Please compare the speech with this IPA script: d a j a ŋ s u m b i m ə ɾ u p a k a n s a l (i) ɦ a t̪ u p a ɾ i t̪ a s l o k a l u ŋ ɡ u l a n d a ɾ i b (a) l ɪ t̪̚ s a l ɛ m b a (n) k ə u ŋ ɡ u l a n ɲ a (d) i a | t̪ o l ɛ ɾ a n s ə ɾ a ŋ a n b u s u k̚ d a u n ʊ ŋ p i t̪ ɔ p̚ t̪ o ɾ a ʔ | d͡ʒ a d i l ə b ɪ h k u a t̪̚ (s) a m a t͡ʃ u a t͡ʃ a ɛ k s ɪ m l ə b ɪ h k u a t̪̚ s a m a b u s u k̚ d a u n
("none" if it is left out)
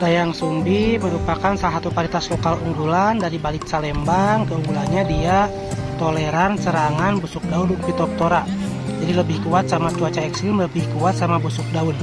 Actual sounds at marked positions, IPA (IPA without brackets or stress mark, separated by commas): a, a, ŋ, d, s